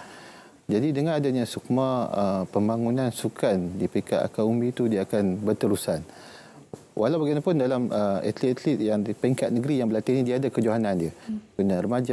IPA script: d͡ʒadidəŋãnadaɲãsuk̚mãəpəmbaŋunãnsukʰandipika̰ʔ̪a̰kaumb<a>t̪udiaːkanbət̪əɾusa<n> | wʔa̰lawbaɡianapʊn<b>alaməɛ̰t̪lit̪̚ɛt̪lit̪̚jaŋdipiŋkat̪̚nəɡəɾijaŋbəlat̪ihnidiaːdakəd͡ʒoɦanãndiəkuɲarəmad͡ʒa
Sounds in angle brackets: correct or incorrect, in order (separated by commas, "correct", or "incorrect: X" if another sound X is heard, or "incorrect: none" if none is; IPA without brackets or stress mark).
incorrect: i, correct, incorrect: d